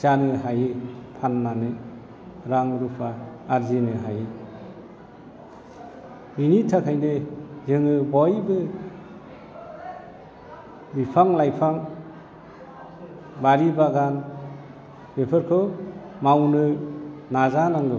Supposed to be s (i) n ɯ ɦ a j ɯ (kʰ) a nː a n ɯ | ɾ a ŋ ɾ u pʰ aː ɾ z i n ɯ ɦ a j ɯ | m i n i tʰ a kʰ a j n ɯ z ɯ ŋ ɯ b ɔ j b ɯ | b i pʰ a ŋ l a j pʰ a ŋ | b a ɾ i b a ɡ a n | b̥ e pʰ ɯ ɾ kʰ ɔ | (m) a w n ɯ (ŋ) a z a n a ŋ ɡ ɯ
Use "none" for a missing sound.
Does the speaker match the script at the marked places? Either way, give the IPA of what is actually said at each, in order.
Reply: a, pʰ, m, n

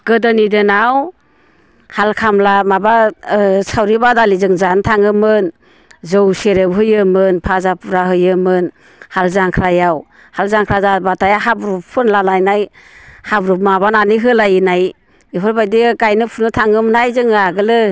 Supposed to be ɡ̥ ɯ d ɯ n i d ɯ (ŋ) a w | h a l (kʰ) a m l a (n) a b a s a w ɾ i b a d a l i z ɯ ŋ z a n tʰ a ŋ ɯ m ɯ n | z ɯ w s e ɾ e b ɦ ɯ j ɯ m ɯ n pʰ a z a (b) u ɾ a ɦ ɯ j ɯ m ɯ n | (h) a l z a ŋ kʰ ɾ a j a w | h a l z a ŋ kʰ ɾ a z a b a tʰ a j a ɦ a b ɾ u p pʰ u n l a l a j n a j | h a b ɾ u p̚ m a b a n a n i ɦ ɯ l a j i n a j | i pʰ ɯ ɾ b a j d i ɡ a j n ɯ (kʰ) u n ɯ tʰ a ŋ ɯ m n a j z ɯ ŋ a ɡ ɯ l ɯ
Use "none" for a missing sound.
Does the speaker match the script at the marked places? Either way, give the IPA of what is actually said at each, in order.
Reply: n, kʰ, m, p, h, pʰ

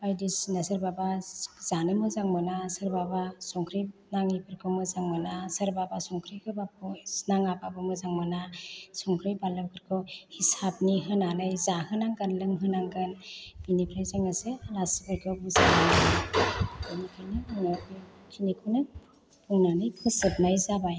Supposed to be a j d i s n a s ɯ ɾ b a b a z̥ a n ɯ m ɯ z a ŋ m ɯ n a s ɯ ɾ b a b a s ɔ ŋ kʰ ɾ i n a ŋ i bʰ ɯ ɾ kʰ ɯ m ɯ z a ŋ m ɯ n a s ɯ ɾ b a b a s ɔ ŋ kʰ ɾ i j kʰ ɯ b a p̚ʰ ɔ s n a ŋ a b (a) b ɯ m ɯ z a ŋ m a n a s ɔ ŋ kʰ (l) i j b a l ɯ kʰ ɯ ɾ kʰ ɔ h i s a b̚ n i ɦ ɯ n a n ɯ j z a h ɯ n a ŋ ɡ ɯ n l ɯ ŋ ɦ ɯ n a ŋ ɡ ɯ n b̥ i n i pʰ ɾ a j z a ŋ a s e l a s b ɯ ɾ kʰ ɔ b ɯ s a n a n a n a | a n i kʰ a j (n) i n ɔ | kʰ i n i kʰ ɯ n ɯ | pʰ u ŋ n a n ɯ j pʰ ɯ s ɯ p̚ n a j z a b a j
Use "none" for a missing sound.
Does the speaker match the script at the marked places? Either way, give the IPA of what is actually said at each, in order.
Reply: a, ɾ, n

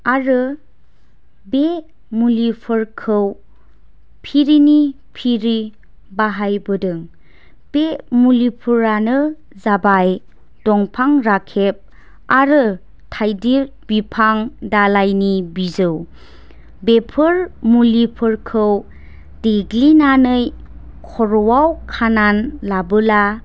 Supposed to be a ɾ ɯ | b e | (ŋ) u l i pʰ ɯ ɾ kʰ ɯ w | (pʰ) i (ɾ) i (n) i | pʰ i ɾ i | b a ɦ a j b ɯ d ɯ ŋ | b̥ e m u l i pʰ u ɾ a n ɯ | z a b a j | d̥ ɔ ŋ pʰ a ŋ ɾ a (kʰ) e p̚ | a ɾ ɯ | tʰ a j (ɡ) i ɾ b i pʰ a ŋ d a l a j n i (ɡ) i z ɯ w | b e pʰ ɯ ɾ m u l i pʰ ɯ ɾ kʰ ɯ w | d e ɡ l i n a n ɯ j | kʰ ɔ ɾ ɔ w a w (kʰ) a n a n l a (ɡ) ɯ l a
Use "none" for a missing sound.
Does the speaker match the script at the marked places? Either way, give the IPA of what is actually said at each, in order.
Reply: m, pʰ, ɾ, n, kʰ, d, b, kʰ, b

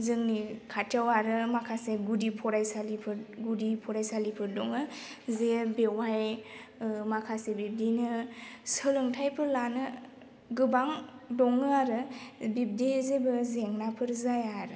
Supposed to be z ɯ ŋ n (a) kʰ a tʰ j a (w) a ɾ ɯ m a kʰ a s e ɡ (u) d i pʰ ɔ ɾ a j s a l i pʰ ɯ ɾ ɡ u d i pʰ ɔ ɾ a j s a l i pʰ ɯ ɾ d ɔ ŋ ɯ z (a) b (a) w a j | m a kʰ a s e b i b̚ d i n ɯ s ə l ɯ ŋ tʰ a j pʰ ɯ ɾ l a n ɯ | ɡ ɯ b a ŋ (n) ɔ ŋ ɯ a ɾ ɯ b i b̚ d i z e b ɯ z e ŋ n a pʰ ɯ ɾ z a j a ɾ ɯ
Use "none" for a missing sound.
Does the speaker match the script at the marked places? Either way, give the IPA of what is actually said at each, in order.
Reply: i, w, u, e, e, d

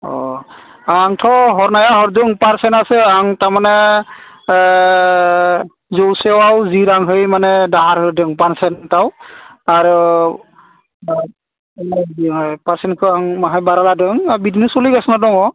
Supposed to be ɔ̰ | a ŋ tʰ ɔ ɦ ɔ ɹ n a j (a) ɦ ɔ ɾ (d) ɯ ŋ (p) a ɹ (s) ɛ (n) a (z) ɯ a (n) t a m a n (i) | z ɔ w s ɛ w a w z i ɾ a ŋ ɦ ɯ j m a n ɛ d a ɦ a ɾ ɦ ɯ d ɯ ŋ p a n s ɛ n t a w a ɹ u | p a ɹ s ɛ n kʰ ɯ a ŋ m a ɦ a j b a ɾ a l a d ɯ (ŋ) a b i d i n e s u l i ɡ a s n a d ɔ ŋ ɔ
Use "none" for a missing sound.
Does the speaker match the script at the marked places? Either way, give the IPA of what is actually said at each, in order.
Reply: a, d, p, s, n, s, ŋ, ɛ, ŋ

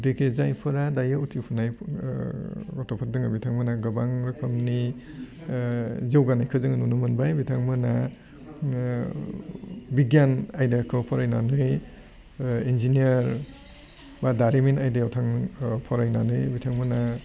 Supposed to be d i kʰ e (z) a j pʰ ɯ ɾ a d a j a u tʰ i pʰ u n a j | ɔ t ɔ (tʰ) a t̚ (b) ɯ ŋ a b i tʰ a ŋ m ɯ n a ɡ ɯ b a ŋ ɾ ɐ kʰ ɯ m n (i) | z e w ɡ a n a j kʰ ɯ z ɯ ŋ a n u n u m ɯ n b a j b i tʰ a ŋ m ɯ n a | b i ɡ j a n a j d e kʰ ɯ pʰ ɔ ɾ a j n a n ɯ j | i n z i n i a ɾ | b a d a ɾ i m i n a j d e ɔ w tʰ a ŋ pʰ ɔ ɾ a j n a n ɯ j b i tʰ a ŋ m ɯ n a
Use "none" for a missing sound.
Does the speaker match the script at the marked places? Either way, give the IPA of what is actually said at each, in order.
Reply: z, pʰ, d, i

